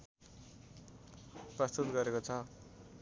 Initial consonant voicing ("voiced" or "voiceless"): voiceless